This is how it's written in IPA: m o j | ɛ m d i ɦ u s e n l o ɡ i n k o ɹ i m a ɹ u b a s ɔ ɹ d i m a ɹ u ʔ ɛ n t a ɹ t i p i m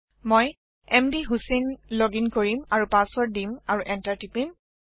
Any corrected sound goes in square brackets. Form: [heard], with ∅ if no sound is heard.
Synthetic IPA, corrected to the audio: m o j | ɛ m d i ɦ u s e n l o ɡ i n k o ɹ i m a ɹ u [p] a s ɔ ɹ d i m a ɹ u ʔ ɛ n t a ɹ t i p i m